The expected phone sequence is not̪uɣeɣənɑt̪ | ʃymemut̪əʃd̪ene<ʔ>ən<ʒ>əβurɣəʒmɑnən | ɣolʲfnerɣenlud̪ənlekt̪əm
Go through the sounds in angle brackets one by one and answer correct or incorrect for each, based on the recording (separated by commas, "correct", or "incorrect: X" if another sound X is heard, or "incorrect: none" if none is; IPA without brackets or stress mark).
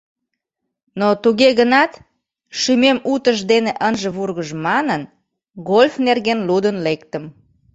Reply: correct, correct